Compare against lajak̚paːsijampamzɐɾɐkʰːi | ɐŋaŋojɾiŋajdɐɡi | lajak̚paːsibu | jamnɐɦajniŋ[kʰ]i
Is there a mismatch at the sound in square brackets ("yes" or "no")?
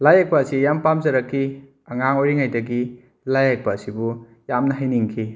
no